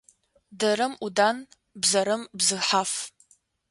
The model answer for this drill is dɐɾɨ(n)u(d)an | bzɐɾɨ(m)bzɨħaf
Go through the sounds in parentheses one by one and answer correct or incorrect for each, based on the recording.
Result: incorrect: m, correct, correct

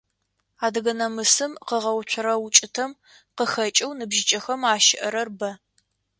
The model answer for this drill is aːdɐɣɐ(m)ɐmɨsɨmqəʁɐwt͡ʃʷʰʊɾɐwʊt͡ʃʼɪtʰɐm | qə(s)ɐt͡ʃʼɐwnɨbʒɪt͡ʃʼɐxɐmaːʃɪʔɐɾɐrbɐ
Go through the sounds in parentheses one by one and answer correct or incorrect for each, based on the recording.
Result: incorrect: n, incorrect: x

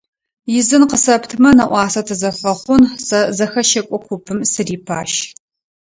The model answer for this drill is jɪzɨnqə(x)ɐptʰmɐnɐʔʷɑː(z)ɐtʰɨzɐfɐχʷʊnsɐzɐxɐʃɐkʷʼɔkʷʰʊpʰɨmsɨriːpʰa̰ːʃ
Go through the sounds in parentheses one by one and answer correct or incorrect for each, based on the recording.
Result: incorrect: s, incorrect: s

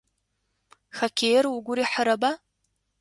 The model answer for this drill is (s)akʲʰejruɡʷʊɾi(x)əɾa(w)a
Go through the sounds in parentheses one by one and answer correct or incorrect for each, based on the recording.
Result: incorrect: x, incorrect: ħ, incorrect: b

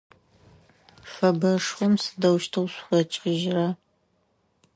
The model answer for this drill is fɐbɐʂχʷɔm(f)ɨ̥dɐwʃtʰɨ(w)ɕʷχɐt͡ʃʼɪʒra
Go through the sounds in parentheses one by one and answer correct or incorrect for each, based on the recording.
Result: incorrect: s, correct

